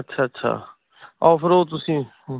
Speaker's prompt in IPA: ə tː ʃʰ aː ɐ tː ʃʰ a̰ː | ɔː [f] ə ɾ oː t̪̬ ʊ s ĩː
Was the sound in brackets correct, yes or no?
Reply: yes